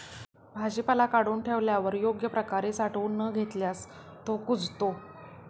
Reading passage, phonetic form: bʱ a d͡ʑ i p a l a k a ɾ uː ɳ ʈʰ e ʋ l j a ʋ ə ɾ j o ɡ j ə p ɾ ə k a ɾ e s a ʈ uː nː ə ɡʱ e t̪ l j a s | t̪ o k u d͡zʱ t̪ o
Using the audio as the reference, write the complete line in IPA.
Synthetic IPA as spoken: bʱ a d͡ʑ i p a l a k a ɽ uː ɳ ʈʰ e ʋ l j a ʋ ə ɾ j o ɡ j ə p ɾ ə k a ɾ e s a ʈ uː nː ə ɡʱ e t̪ l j a s | t̪ o k u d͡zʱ t̪ o